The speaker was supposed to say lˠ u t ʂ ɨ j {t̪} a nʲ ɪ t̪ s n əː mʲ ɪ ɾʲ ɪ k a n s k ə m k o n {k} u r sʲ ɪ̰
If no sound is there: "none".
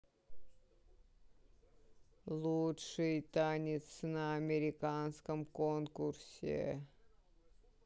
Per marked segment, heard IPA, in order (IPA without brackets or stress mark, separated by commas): t̪, k